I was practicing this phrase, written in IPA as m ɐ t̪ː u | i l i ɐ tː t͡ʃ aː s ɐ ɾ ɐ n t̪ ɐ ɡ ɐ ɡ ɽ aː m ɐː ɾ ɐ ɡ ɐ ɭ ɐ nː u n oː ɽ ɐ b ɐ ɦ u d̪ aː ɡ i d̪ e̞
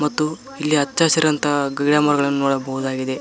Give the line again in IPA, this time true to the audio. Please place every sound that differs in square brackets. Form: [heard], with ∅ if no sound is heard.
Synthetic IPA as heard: m ɐ t̪ː u | i [lː] i ɐ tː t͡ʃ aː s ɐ ɾ ɐ n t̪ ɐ ɡ ɐ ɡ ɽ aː m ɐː ɾ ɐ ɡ ɐ ɭ ɐ nː u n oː ɽ ɐ b ɐ ɦ u d̪ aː ɡ i d̪ e̞